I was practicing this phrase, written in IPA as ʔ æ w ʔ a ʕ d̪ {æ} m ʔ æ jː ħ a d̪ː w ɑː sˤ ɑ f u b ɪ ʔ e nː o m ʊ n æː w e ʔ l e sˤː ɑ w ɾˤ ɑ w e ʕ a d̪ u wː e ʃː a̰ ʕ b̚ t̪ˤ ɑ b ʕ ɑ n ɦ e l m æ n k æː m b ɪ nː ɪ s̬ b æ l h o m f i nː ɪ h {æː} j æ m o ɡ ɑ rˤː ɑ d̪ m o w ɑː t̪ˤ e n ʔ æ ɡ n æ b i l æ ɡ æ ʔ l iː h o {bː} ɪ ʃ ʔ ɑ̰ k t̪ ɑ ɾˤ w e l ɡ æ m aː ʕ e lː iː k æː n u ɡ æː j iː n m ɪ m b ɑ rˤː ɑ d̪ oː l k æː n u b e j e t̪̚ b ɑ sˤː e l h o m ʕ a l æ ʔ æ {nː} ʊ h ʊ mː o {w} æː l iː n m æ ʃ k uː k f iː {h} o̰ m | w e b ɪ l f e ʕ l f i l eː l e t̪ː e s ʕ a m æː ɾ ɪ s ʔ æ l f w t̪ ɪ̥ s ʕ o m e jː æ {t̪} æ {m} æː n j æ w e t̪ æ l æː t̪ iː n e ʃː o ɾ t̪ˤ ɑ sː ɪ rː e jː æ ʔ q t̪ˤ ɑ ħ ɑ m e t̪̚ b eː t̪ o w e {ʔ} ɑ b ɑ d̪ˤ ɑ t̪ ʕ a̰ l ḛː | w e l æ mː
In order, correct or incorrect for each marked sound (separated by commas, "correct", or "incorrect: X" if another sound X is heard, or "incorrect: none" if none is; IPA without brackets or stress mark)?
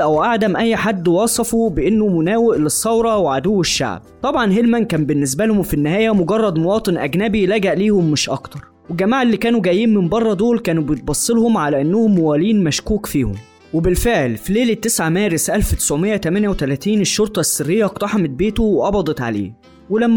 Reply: correct, correct, incorrect: mː, correct, correct, correct, correct, correct, correct